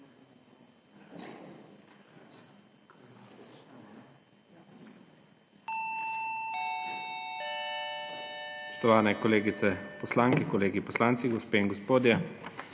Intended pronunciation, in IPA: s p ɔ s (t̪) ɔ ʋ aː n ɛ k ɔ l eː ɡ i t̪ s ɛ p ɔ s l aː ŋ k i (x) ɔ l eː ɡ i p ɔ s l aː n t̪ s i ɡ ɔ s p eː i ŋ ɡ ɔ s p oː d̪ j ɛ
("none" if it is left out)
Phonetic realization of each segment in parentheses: t̪, k

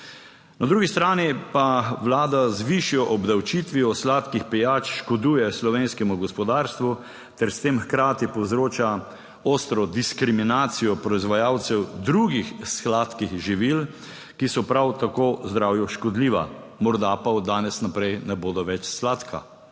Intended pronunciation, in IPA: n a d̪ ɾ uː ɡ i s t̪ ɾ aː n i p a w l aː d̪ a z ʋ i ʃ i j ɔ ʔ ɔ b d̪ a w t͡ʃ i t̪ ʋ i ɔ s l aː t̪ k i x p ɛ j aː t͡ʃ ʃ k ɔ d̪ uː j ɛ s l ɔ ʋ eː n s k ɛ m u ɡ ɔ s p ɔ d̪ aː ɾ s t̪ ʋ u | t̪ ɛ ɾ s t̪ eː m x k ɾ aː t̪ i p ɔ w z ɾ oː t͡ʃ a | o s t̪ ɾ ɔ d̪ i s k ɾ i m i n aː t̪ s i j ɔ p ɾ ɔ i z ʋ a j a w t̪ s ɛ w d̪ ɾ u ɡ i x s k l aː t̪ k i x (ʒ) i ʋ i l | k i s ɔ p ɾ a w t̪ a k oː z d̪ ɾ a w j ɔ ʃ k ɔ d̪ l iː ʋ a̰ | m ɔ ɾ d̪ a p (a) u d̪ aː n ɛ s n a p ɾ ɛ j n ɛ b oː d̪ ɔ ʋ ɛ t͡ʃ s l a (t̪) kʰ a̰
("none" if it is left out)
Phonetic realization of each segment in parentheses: ʒ, a, t̪

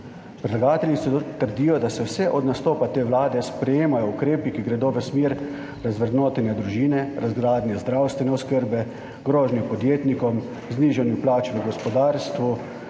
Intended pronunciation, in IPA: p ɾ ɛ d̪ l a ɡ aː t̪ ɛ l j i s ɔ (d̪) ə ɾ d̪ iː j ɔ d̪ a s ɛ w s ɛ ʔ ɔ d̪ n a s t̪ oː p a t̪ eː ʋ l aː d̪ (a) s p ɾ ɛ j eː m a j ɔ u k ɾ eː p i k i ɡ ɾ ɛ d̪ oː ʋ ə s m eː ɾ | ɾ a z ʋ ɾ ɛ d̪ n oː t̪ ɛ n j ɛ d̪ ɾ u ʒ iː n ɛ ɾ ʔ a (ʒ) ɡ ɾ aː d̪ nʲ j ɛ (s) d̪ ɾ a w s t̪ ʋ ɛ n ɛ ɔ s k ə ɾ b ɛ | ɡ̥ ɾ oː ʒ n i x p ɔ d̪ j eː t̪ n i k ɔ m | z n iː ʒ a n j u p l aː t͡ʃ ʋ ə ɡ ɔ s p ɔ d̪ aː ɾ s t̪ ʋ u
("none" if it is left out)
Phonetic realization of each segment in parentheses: t̪, ɛ, z, z

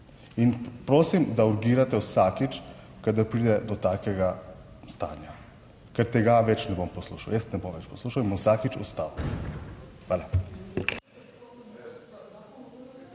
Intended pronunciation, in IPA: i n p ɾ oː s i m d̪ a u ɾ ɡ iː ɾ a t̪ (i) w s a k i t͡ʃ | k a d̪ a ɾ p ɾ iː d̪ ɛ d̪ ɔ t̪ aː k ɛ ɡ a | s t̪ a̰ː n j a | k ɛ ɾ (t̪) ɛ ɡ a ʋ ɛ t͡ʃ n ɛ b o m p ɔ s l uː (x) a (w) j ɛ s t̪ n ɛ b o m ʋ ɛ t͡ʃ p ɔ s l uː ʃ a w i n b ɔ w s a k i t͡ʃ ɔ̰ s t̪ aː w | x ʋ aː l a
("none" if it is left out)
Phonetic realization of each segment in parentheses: ɛ, t̪, ʃ, w

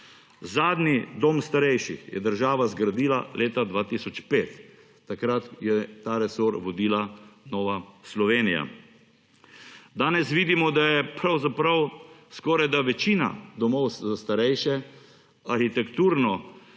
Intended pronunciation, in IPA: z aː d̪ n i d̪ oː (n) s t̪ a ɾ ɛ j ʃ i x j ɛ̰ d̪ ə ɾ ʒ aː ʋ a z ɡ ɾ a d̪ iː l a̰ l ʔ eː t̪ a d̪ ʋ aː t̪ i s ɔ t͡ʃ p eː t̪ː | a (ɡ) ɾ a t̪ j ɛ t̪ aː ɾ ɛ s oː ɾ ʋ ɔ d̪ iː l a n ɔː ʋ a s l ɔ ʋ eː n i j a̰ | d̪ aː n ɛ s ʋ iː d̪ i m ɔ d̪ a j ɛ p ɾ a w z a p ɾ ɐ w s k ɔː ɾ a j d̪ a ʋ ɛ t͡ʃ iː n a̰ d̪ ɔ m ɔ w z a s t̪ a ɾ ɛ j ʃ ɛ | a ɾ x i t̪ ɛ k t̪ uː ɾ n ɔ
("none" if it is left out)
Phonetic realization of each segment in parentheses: m, k

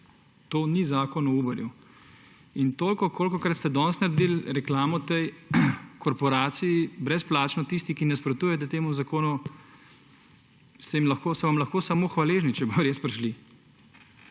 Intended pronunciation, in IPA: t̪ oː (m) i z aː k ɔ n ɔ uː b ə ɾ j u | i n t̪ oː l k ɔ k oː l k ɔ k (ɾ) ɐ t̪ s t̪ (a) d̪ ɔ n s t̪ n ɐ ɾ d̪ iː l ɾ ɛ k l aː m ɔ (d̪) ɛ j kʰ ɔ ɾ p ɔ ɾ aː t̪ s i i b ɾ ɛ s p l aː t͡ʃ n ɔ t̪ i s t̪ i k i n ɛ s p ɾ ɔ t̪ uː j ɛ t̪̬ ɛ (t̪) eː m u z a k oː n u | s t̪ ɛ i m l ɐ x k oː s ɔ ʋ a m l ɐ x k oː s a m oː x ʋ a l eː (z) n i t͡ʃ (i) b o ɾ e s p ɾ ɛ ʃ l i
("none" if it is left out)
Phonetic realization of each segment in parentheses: n, ɾ, ɛ, t̪, t̪, ʒ, ɛ

